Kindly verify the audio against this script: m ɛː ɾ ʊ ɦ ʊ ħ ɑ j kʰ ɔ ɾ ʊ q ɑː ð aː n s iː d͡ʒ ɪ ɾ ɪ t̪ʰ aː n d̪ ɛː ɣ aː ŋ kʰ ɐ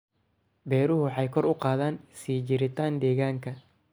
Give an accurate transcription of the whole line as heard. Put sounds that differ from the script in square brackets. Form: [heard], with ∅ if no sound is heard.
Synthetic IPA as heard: [b] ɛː ɾ ʊ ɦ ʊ ħ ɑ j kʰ ɔ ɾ ʊ q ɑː ð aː n s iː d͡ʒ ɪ ɾ ɪ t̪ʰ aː n d̪ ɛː ɣ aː ŋ kʰ ɐ